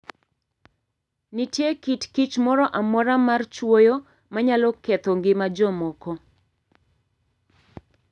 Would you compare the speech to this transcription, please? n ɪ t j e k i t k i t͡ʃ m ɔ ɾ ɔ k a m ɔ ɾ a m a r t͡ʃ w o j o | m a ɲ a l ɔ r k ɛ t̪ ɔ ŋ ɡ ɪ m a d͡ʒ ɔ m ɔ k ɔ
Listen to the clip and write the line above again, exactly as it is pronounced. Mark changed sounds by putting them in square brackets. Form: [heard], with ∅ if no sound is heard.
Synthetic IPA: n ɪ t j e k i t k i t͡ʃ m ɔ ɾ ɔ [ʔ] a m ɔ ɾ a m a r t͡ʃ w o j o | m a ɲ a l ɔ [∅] k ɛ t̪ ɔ ŋ ɡ ɪ m a d͡ʒ ɔ m ɔ k ɔ